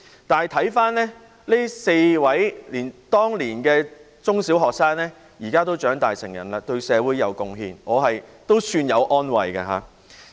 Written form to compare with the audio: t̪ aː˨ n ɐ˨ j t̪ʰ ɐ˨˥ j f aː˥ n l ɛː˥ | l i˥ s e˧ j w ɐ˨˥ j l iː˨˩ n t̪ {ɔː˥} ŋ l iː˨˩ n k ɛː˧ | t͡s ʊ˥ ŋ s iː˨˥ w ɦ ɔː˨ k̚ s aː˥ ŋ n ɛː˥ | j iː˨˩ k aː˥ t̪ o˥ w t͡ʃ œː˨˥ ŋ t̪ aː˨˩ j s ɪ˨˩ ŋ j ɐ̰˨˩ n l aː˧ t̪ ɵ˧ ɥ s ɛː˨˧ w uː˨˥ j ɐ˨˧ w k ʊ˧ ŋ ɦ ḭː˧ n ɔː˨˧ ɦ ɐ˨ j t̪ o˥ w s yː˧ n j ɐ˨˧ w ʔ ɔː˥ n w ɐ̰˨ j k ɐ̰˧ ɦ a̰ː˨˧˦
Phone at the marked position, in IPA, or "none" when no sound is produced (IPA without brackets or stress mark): ɔː˥